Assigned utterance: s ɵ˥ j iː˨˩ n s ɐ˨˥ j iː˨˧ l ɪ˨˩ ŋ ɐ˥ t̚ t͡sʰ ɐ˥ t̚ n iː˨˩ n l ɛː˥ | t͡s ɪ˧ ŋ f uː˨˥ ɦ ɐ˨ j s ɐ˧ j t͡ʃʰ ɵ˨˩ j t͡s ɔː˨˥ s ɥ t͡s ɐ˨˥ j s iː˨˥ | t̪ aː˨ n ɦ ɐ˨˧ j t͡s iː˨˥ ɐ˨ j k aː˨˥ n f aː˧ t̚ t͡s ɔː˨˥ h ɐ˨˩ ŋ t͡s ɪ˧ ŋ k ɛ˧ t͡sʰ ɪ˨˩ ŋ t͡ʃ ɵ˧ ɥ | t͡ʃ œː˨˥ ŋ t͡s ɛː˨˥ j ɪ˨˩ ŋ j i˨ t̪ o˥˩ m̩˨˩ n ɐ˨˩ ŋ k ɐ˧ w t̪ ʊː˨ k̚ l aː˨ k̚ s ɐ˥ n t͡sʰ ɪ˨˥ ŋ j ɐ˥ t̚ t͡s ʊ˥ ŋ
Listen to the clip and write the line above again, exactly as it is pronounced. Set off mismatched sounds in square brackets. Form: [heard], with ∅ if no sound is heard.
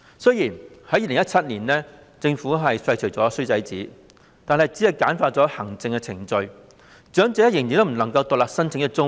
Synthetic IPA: s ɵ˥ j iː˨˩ n [h] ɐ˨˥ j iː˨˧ l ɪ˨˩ ŋ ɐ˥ t̚ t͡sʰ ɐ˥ t̚ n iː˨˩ n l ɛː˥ | t͡s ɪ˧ ŋ f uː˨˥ ɦ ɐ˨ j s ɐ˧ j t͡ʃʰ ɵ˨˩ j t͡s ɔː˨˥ s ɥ t͡s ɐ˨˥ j [t͡s] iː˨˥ | t̪ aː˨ n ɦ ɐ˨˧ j t͡s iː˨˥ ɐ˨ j k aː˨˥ n f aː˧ t̚ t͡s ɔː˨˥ h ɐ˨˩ ŋ t͡s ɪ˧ ŋ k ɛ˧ t͡sʰ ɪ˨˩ ŋ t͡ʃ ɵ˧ ɥ | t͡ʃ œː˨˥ ŋ t͡s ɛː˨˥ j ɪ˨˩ ŋ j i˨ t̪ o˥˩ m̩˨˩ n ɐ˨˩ ŋ k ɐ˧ w t̪ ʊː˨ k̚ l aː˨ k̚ s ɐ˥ n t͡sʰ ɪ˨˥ ŋ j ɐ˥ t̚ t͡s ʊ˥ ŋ